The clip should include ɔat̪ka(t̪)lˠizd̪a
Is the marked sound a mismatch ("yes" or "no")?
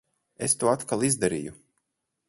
yes